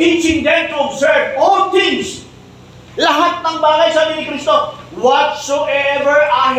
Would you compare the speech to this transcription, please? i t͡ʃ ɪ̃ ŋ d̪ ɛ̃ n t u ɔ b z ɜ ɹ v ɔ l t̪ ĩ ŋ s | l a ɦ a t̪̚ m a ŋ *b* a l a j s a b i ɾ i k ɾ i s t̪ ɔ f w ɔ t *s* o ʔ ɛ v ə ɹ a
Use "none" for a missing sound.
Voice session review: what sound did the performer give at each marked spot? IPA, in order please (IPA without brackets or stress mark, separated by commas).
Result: b, s